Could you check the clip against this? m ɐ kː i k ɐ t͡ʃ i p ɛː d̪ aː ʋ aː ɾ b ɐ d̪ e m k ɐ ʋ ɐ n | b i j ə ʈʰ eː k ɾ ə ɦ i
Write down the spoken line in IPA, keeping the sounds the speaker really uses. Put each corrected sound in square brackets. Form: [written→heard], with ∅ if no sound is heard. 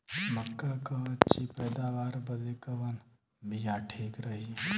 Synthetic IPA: m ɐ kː [i→a] k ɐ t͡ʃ i p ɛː d̪ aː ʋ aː ɾ b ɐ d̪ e [m→∅] k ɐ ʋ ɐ n | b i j [ə→a] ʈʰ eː k ɾ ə ɦ i